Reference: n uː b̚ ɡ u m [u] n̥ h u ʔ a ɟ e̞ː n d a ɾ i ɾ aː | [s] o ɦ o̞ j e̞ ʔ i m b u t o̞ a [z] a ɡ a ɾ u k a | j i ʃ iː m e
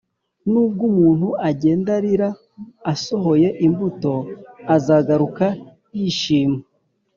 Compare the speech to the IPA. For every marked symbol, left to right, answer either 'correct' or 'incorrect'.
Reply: incorrect, correct, correct

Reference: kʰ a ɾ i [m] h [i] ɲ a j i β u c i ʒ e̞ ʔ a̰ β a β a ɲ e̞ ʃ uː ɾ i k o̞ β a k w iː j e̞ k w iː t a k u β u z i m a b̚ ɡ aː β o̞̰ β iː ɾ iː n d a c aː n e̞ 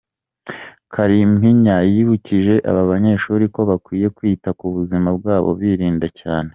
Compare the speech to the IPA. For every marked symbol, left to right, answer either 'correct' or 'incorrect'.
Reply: correct, correct

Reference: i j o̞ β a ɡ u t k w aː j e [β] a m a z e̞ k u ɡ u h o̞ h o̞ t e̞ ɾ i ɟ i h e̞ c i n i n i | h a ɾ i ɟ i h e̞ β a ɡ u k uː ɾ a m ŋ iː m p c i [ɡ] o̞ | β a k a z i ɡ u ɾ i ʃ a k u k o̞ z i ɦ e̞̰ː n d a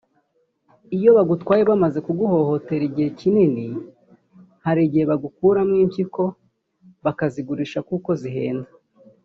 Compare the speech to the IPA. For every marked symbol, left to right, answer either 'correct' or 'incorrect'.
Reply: correct, incorrect

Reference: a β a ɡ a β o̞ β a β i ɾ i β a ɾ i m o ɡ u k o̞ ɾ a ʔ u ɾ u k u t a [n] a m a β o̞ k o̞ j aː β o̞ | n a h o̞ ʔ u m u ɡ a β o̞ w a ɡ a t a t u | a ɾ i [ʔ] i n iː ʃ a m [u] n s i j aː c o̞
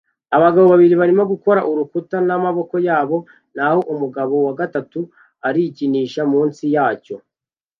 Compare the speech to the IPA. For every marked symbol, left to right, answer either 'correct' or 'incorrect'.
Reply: correct, incorrect, incorrect

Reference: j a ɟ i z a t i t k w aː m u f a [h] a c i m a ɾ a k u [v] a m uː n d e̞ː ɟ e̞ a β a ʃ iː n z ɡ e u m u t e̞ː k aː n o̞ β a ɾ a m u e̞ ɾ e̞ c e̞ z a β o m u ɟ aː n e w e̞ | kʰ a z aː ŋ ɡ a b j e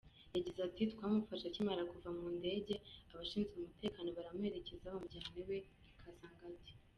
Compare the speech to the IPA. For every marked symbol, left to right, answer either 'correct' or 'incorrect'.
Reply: incorrect, correct

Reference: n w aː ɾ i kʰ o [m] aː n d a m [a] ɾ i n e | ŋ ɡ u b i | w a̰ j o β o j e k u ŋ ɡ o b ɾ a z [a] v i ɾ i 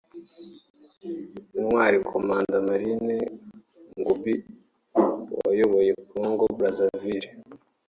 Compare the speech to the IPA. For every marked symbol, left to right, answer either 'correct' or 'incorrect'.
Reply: correct, correct, correct

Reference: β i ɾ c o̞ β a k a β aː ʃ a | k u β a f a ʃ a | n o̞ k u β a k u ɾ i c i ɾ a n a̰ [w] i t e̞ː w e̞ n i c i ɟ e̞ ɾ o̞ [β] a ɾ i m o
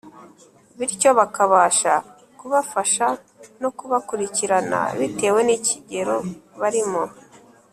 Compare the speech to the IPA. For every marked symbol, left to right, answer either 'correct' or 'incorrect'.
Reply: incorrect, correct

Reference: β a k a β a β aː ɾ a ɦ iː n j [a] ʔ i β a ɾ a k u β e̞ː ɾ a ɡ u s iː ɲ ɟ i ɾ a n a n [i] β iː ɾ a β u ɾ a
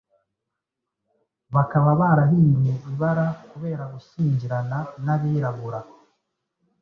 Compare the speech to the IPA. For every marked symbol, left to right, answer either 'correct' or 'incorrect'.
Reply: incorrect, incorrect

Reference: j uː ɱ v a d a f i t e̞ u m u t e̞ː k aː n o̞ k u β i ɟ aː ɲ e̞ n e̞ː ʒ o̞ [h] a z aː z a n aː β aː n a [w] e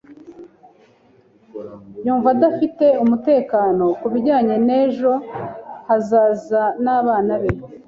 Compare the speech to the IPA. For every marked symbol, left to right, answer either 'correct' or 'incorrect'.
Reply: correct, incorrect

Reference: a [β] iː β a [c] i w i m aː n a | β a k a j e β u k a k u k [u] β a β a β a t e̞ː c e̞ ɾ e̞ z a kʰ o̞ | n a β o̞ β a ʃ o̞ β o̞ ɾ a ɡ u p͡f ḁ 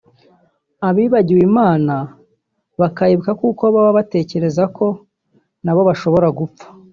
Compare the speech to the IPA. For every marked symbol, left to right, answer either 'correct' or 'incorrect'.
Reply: correct, incorrect, incorrect

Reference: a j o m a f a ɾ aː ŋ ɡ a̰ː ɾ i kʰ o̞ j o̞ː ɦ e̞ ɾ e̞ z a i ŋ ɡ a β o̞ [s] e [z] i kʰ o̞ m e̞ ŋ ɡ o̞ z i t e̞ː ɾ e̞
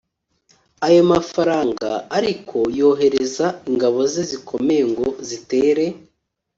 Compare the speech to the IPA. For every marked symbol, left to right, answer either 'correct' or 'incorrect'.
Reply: incorrect, correct

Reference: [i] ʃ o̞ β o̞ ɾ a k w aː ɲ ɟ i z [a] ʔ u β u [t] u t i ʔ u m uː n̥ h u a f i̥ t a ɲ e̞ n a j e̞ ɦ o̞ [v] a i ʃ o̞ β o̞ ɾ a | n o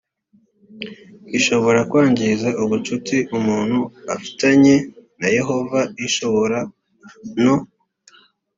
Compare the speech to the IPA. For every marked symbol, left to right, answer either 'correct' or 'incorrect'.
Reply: correct, correct, incorrect, correct

